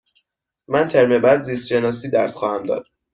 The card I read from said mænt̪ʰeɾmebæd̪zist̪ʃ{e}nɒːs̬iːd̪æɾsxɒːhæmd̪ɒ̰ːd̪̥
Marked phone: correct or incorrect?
correct